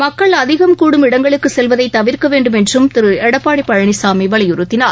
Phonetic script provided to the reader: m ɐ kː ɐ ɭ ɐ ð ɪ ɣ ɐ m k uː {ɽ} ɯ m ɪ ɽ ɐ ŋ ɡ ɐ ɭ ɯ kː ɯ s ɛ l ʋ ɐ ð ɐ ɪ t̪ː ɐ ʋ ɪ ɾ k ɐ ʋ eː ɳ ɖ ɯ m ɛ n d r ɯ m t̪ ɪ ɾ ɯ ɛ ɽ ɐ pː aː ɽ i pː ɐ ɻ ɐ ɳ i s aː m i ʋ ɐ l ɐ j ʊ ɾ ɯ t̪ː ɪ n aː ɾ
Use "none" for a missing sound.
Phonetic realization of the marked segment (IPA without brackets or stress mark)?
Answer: ɽ